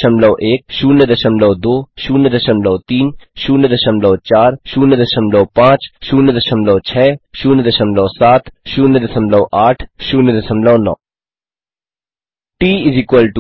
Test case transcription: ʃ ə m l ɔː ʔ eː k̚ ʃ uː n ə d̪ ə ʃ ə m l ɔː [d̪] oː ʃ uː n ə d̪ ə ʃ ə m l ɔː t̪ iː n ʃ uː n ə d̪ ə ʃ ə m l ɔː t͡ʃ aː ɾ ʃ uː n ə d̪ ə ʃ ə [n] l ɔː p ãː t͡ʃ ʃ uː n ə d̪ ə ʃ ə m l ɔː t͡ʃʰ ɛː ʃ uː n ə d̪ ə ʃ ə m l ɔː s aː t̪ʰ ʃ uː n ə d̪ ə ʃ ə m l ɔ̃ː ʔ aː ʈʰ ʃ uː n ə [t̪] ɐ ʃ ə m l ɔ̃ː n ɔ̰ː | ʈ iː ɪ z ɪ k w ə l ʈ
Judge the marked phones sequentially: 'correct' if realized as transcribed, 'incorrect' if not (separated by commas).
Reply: correct, incorrect, incorrect